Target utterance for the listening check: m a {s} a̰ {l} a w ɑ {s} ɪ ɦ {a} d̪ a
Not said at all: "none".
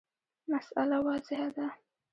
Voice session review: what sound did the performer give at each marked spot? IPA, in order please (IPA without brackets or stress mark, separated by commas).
s, l, z, a